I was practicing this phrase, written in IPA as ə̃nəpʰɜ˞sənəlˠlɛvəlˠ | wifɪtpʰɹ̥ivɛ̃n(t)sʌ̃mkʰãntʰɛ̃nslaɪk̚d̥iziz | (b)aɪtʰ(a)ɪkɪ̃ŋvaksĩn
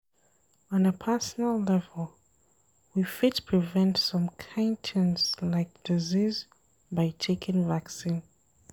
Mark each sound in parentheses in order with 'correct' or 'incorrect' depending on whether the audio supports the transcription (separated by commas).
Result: correct, correct, incorrect